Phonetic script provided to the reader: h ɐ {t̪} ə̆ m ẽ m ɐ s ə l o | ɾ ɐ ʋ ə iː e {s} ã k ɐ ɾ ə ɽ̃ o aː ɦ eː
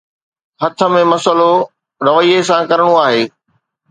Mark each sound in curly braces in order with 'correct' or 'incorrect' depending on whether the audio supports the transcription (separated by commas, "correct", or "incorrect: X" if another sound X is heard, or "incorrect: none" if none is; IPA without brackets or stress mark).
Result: incorrect: t̪ʰ, correct